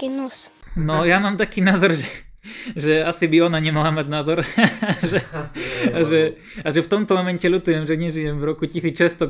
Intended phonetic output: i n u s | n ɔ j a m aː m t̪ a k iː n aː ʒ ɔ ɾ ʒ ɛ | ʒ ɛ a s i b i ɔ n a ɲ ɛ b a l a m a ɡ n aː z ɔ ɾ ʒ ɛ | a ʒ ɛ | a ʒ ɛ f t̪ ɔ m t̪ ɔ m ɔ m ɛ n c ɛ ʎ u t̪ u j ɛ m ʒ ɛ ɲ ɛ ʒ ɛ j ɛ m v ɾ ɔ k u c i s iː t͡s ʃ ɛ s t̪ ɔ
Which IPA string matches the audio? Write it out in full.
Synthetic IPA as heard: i n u s | n ɔ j a m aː m t̪ a k iː n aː z ɔ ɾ ʒ ɛ | ʒ ɛ a s i b i ɔ n a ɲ ɛ m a l a m a ɟ n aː z ɔ ɾ ʒ ɛ | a ʒ ɛ | a ʒ ɛ f t̪ ɔ m t̪ ɔ m ɔ m ɛ n c ɛ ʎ u t̪ u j ɛ m ʒ ɛ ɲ ɛ ʒ i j ɛ m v ɾ ɔ k u c i s iː t͡s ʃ ɛ s t̪ ɔ